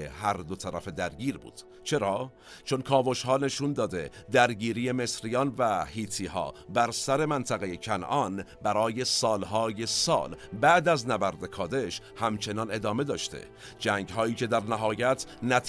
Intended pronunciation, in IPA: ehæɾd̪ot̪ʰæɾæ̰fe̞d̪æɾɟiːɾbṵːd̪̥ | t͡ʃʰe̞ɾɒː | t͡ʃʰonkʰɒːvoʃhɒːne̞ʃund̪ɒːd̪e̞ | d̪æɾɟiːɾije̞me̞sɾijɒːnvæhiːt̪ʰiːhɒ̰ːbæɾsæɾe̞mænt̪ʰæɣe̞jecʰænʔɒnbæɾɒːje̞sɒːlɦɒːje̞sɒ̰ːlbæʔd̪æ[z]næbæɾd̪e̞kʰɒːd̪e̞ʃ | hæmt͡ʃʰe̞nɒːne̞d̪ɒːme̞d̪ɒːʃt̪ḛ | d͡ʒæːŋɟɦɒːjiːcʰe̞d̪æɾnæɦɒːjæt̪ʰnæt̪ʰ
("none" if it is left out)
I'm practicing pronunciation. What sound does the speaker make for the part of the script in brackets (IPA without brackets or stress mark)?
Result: z